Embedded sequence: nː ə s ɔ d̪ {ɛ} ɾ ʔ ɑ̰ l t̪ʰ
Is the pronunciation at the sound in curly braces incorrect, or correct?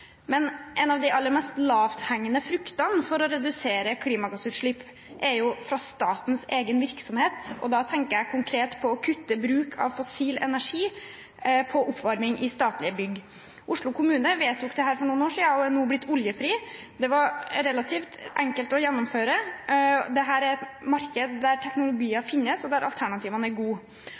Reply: incorrect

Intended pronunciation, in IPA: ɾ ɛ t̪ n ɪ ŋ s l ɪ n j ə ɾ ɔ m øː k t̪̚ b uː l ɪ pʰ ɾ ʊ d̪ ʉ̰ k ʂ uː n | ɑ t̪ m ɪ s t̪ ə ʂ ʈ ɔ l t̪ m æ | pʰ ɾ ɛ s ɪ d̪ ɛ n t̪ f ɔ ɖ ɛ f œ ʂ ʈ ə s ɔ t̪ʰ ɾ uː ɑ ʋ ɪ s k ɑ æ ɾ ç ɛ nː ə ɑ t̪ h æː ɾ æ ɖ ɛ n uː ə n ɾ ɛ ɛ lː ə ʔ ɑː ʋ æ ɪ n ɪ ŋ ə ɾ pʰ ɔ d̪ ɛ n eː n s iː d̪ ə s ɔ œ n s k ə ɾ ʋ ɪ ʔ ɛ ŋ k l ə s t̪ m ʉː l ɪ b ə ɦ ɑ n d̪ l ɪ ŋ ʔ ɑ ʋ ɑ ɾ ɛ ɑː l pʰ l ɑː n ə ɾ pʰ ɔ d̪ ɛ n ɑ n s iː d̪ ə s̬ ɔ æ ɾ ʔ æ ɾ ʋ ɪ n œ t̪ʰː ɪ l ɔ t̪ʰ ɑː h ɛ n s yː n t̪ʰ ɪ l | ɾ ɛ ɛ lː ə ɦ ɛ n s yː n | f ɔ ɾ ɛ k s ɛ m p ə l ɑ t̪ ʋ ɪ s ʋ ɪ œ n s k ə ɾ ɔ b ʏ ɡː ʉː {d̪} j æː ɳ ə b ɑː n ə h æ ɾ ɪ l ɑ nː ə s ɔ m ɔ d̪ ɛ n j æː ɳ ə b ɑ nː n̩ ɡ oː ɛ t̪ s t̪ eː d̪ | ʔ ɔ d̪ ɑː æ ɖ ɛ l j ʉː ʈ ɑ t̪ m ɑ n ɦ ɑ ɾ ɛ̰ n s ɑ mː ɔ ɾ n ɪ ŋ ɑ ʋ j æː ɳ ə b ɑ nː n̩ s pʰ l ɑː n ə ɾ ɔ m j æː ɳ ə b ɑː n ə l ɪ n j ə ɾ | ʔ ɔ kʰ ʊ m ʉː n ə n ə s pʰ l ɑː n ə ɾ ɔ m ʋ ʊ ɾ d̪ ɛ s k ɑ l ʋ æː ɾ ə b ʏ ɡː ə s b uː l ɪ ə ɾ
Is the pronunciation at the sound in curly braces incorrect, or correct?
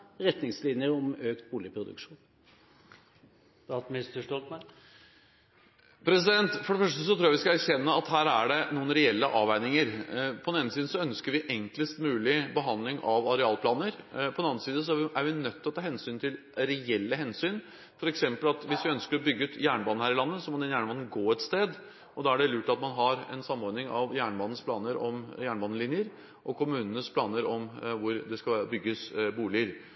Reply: incorrect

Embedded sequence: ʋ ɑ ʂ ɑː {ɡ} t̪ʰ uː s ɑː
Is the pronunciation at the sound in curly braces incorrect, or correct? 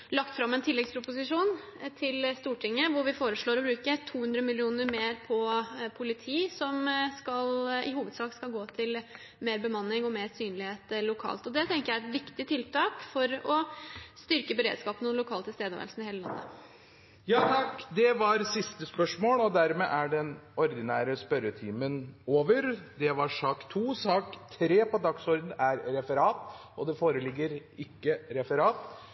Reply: incorrect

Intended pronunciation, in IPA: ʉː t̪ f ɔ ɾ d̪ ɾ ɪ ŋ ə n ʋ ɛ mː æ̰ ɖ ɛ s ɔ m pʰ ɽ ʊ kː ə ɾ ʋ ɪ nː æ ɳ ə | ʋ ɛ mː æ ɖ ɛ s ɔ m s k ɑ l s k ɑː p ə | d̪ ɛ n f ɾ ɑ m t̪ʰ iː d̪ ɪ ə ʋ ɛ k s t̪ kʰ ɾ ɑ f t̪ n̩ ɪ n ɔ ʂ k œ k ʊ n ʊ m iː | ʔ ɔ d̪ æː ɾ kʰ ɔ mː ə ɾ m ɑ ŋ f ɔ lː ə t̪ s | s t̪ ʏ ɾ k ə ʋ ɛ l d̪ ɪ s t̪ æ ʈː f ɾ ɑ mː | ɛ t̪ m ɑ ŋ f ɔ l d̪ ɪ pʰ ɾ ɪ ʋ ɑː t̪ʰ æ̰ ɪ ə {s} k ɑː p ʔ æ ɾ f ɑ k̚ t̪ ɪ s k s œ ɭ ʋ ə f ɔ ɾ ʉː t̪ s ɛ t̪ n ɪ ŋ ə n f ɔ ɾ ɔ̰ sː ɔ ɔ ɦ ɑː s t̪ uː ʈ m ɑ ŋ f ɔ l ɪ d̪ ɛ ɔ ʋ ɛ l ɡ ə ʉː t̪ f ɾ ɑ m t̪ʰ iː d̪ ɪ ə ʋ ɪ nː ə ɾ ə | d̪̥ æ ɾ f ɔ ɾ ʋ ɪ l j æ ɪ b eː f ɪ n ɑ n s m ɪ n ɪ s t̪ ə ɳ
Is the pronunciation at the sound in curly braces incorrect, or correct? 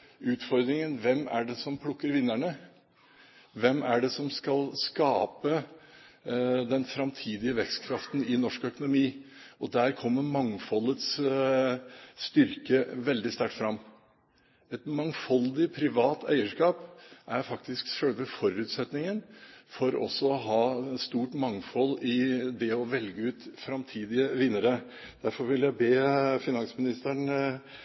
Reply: incorrect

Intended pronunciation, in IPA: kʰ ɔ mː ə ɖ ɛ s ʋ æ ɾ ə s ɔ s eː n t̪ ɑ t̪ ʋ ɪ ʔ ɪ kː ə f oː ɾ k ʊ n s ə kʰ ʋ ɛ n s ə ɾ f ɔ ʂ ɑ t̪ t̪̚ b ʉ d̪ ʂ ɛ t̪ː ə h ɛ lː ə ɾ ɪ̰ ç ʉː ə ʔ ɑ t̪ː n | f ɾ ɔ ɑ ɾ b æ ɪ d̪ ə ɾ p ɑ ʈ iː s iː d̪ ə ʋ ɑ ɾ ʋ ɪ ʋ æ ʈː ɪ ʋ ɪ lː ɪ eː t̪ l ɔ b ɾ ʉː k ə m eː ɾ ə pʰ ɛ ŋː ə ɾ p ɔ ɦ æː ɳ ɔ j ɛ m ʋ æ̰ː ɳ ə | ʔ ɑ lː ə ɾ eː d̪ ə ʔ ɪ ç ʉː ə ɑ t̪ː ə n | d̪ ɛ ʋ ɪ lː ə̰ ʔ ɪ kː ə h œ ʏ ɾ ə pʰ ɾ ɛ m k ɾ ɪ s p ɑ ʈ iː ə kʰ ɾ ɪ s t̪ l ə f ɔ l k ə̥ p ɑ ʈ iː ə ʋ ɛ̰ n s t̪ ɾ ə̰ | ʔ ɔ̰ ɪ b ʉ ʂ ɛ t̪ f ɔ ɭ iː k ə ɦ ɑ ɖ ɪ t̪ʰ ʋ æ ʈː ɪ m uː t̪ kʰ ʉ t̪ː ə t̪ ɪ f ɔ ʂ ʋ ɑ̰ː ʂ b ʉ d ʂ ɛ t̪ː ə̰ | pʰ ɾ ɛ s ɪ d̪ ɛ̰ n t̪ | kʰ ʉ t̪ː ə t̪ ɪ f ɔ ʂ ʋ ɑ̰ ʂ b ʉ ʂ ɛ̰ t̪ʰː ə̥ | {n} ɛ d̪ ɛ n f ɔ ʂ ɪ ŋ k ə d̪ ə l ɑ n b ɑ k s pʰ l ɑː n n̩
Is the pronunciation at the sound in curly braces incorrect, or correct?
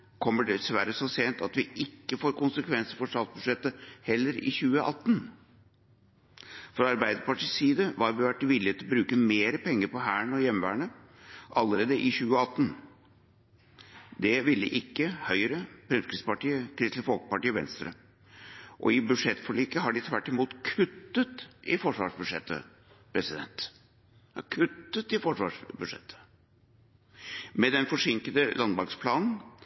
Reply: incorrect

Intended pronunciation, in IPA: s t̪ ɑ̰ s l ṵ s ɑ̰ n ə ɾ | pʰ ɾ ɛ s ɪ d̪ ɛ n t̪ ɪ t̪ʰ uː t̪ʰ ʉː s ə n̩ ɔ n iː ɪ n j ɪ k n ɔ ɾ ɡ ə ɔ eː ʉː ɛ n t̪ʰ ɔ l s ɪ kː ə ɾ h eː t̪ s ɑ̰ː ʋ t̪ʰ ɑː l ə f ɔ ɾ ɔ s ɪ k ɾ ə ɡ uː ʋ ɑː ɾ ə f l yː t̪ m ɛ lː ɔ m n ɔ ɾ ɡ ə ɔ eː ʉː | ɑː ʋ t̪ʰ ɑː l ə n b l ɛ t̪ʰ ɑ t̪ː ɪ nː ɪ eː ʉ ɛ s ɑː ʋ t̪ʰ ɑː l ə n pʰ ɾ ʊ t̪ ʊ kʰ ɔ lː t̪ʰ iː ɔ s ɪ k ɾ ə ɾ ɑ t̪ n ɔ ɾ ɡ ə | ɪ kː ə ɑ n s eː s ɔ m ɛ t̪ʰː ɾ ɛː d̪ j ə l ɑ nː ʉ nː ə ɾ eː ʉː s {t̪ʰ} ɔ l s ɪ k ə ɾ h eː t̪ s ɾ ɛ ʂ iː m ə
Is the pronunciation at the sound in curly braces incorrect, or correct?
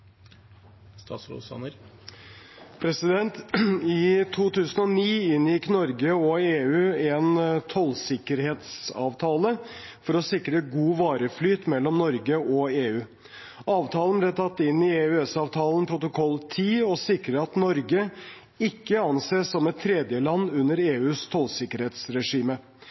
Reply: correct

